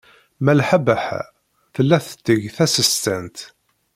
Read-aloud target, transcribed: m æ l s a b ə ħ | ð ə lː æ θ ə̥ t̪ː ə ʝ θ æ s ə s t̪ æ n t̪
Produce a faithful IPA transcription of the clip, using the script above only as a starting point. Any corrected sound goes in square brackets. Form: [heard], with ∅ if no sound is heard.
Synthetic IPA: m æ l [ħ] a b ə ħ | [θ] ə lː æ θ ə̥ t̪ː ə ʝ θ æ s ə s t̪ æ n t̪